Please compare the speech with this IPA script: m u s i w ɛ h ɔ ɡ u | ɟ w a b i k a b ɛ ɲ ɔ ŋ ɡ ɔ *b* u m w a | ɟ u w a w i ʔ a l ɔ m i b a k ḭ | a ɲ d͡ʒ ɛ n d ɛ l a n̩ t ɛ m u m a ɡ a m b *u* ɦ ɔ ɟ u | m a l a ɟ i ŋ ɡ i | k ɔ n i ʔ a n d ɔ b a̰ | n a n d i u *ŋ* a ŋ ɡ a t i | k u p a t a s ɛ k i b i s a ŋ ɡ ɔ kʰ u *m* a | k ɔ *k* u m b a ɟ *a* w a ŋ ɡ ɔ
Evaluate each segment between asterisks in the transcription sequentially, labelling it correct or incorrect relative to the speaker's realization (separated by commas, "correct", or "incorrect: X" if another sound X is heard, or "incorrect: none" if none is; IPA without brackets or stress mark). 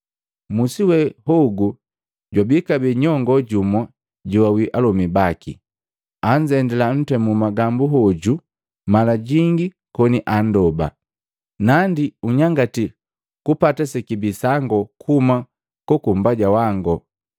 incorrect: ɟ, correct, incorrect: ɲ, correct, correct, correct